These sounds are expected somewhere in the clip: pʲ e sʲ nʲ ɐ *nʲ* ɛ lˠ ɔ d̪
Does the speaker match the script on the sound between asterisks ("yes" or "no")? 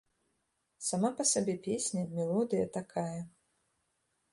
no